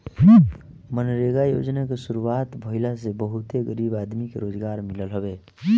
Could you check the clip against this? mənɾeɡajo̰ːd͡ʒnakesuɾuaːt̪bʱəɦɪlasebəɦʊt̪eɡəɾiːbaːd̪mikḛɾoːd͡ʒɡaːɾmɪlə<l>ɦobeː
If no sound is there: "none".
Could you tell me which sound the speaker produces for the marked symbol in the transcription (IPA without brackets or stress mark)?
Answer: l